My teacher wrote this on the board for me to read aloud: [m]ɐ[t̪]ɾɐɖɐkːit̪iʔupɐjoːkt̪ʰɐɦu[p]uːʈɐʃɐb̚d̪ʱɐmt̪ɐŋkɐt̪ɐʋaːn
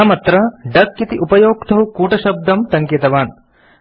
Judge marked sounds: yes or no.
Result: yes, yes, no

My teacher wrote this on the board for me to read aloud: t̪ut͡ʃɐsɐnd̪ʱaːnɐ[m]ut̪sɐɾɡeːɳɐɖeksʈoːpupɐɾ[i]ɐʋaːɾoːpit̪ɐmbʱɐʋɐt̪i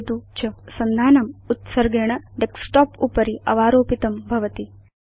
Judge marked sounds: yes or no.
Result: yes, yes

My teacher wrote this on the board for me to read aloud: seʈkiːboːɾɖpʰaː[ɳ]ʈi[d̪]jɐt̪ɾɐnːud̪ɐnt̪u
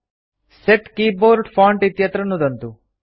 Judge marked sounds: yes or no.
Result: yes, no

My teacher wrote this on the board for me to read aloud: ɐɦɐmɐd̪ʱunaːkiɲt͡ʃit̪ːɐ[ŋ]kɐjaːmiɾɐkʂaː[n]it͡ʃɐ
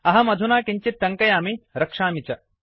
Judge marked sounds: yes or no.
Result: yes, no

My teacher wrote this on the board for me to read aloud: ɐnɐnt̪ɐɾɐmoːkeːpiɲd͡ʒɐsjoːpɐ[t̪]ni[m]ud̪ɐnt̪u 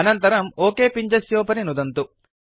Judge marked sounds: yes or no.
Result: no, no

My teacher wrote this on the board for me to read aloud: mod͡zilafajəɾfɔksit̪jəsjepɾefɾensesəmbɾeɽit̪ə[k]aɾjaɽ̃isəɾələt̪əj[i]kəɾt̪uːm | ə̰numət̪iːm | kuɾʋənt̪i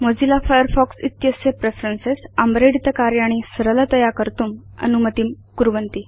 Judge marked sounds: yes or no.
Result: yes, no

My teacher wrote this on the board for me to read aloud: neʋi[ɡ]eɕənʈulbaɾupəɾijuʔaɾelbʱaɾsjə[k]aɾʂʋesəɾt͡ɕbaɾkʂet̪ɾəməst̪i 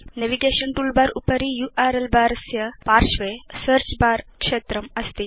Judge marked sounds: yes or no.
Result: yes, no

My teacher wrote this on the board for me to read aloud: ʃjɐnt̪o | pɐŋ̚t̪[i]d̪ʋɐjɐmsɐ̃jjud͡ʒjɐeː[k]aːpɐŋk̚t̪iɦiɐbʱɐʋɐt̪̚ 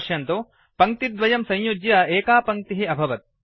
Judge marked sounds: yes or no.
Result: yes, yes

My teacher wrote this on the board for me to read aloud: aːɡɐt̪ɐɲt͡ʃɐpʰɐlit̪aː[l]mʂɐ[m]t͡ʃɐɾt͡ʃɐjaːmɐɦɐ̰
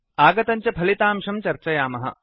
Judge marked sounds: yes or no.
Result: no, yes

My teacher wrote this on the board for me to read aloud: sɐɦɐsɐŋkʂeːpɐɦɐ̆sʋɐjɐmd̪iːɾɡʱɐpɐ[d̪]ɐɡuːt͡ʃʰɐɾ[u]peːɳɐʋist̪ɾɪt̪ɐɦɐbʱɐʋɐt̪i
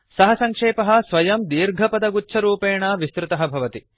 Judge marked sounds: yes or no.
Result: yes, no

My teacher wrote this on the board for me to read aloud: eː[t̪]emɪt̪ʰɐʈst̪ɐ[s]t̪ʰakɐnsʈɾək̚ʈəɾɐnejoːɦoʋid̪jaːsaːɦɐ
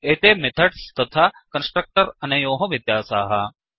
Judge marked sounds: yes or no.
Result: yes, no

